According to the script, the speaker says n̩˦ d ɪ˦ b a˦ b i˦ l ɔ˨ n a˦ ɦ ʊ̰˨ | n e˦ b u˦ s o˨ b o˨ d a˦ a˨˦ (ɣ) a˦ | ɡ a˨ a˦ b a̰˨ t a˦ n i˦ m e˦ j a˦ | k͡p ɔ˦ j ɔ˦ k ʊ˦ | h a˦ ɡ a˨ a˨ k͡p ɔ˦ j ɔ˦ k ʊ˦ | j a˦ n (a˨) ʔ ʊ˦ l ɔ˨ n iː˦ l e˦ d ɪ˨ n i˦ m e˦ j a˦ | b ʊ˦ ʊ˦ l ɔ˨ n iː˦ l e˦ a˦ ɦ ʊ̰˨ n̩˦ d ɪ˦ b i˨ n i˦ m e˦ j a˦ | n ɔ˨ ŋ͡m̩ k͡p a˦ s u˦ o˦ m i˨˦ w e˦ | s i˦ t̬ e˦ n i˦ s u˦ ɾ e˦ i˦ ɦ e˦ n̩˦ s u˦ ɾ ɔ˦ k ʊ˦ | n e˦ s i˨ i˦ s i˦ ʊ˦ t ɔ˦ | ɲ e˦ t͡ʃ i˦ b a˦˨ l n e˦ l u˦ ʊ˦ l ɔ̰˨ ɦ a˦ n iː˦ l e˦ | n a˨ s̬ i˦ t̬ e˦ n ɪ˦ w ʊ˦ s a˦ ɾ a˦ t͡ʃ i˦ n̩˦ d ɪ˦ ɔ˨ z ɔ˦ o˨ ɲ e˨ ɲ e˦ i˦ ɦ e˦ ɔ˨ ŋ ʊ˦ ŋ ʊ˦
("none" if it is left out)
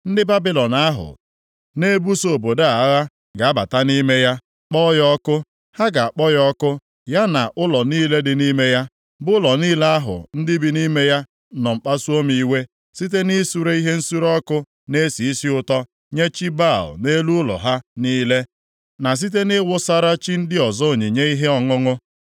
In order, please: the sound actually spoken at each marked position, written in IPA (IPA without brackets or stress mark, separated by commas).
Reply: ɣ, a˨